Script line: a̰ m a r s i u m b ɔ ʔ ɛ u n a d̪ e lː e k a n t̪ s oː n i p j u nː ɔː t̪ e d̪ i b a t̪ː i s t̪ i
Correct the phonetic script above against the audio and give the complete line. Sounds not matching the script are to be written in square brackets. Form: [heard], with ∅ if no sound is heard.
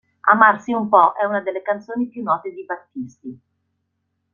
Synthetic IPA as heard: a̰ m a r s i u m [p] ɔ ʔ ɛ u n a d̪ e lː e k a n t̪ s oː n i p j u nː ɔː t̪ e d̪ i b a t̪ː i s t̪ i